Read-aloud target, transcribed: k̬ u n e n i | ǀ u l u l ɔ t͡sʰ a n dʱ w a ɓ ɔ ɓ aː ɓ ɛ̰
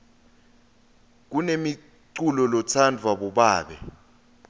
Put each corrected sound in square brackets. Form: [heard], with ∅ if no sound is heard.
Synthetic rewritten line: k̬ u n e [m] i | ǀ u l [ɔ] l ɔ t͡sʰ a n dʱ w a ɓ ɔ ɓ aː ɓ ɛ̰